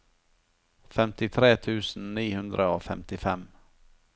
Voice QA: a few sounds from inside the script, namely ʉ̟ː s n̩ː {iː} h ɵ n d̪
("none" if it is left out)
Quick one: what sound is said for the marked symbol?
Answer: iː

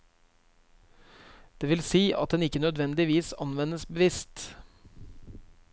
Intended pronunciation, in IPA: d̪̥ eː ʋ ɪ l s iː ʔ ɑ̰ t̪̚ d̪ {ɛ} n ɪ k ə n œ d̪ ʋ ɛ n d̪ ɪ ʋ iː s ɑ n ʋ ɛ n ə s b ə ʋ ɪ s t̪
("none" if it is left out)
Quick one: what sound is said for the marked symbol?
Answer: ɛ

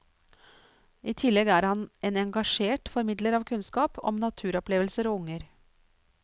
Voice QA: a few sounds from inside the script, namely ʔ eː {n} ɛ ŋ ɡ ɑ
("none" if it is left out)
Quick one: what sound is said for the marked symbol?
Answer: n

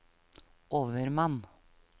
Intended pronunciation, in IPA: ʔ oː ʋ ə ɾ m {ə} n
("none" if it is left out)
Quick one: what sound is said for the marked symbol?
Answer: ɑ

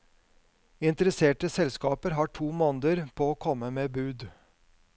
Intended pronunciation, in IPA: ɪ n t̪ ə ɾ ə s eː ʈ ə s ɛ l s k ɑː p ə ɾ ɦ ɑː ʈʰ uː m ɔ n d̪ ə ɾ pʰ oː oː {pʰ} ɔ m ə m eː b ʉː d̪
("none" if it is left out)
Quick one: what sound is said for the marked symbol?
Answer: kʰ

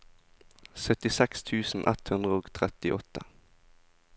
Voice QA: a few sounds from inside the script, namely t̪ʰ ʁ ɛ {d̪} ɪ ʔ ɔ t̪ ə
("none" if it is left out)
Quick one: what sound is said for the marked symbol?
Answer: t̪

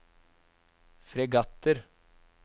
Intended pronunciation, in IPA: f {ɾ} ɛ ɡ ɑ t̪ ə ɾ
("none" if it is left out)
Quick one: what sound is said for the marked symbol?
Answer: ɾ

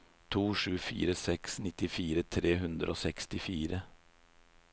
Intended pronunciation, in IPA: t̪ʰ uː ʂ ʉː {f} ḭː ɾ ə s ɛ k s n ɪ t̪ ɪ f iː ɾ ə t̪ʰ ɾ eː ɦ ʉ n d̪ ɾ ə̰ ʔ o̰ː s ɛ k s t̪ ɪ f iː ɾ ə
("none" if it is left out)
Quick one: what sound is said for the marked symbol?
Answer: f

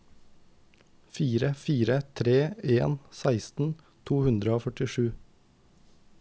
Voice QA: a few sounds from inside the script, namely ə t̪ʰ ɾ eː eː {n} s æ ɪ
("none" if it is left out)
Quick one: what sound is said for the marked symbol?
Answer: n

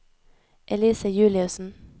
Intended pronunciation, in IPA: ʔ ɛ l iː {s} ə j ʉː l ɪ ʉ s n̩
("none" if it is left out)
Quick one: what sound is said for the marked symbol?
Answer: s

